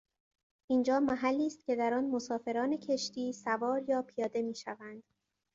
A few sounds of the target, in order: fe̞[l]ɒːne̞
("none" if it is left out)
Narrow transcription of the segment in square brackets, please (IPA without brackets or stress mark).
ɾ